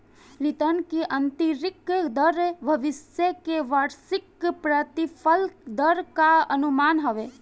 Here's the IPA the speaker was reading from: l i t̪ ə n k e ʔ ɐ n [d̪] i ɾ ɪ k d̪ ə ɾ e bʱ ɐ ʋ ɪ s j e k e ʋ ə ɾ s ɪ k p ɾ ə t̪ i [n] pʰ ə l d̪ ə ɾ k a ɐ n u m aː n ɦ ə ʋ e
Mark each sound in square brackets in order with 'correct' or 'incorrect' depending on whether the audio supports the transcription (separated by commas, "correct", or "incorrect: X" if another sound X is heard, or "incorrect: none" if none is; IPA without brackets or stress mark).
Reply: incorrect: t̪, incorrect: none